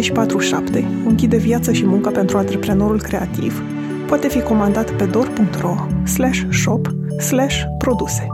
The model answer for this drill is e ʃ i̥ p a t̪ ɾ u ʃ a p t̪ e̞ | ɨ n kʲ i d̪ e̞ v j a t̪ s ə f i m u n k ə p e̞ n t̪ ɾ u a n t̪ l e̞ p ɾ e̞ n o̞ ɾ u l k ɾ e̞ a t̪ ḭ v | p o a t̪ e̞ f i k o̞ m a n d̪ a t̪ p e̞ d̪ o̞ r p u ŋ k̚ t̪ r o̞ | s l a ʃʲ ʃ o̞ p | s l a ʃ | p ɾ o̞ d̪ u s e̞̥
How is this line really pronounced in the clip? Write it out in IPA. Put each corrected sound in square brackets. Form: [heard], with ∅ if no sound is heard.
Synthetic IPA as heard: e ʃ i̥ p a t̪ ɾ u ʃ a p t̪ e̞ | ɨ [ŋ] kʲ i d̪ e̞ v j a t̪ s ə [ʃ] i m u [ŋ] k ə p e̞ n t̪ ɾ u a n t̪ [ɾ] e̞ p ɾ e̞ n o̞ ɾ u l k ɾ e̞ a t̪ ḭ v | p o a t̪ e̞ f i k o̞ m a n d̪ a t̪ p e̞ d̪ o̞ r p u ŋ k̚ t̪ r o̞ | s l a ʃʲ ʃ o̞ p | s l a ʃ | p ɾ o̞ d̪ u s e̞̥